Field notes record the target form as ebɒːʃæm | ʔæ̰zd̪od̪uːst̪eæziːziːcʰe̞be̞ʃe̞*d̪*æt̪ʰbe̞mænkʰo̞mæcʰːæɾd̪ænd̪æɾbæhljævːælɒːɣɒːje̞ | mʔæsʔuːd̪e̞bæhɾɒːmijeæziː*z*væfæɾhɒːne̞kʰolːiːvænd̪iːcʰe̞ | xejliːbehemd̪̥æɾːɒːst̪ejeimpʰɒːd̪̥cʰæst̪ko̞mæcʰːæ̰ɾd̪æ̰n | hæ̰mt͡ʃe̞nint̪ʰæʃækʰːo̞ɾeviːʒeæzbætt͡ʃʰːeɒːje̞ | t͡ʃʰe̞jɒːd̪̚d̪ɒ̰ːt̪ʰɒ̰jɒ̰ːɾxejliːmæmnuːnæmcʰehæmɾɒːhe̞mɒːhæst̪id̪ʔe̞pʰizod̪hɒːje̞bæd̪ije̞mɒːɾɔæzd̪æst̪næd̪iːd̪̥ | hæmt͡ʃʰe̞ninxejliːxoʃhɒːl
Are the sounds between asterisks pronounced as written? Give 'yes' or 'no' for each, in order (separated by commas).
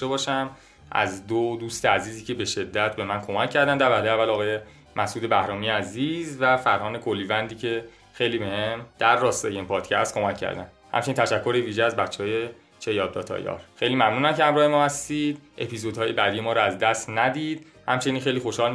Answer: no, yes